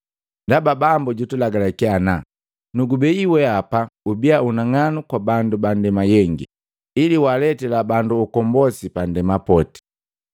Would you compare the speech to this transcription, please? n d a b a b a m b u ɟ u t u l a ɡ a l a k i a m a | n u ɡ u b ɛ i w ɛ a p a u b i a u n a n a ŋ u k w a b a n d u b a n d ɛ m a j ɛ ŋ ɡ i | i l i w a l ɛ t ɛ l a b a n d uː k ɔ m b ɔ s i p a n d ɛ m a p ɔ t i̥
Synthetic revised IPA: n d a b a b a m b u ɟ u t u l a ɡ a l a k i a n a | n u ɡ u b ɛ i w ɛ a p a u b i a u n a ŋ a n u k w a b a n d u b a n d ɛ m a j ɛ ŋ ɡ i | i l i w a l ɛ t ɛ l a b a n d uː k ɔ m b ɔ s i p a n d ɛ m a p ɔ t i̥